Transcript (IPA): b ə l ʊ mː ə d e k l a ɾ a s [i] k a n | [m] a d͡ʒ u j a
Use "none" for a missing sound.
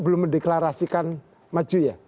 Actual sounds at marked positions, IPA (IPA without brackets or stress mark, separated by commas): i, m